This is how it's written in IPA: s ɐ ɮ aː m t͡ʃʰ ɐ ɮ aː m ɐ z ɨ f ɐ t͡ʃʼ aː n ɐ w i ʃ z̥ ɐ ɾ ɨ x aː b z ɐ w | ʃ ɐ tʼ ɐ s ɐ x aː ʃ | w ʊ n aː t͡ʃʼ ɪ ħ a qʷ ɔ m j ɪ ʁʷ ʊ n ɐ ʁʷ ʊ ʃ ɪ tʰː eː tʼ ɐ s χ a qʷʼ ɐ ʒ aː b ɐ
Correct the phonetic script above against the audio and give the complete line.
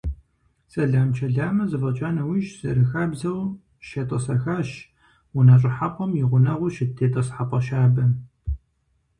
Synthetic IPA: s ɐ ɮ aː m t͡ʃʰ ɐ ɮ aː m ɐ z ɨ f ɐ t͡ʃʼ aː n ɐ w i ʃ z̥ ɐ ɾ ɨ x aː b z ɐ w | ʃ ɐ tʼ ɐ s ɐ x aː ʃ | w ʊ n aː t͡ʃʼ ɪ ħ a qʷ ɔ m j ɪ ʁʷ ʊ n ɐ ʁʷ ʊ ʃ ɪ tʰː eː tʼ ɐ s ħ a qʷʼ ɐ ʃ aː b ɐ